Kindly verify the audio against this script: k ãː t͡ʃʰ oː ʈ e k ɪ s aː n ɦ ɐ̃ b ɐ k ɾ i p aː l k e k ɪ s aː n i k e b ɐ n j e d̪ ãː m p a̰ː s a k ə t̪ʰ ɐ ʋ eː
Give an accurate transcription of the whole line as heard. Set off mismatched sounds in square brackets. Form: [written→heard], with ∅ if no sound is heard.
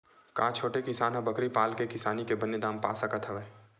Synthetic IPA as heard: k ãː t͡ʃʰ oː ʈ e k ɪ s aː n ɦ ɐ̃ b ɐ k ɾ i p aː l k e k ɪ s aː n i k e b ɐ n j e d̪ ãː m p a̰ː s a k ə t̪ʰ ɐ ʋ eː

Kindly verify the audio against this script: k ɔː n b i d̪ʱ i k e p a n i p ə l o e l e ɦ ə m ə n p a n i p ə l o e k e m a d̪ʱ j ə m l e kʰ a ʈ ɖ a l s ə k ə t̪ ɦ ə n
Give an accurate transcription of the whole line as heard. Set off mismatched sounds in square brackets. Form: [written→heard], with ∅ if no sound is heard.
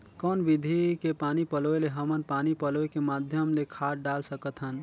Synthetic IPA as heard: k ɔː n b i d̪ʱ i k e p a n i p ə l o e l e ɦ ə m ə n p a n i p ə l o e k e m a d̪ʱ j ə m l e kʰ a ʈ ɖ a l s ə k ə t̪ ɦ ə n

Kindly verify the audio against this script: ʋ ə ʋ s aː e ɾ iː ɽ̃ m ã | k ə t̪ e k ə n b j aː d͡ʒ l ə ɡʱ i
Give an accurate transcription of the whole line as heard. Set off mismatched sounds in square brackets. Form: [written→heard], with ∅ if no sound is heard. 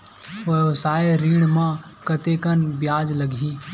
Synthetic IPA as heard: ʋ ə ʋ s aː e ɾ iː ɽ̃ m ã | k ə t̪ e k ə n b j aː d͡ʒ l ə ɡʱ i

